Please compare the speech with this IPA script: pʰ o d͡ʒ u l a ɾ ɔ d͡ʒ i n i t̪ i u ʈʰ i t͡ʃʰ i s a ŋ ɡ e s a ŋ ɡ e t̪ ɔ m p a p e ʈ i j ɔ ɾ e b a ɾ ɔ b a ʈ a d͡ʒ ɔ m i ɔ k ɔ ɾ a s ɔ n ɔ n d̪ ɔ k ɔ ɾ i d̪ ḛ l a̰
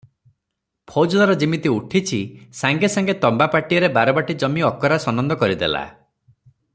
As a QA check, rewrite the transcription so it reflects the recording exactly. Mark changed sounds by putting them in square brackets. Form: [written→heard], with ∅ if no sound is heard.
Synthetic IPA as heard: pʰ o d͡ʒ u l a ɾ ɔ d͡ʒ i [n→m] i t̪ i u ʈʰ i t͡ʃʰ i s a ŋ ɡ e s a ŋ ɡ e t̪ ɔ m [p→b] a p [e→a] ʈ i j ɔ ɾ e b a ɾ ɔ b a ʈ [a→i] d͡ʒ ɔ m i ɔ k ɔ ɾ a s ɔ n ɔ n d̪ ɔ k ɔ ɾ i d̪ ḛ l a̰